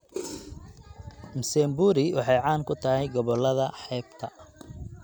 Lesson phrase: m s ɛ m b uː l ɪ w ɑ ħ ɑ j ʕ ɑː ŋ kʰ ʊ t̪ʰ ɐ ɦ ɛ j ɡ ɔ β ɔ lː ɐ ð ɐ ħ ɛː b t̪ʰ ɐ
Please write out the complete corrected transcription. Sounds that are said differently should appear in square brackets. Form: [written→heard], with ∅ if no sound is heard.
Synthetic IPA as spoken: m s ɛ m b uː [l→ɾ] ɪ w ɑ ħ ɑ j ʕ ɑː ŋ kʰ ʊ t̪ʰ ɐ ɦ ɛ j ɡ ɔ β ɔ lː ɐ ð ɐ ħ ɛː b t̪ʰ ɐ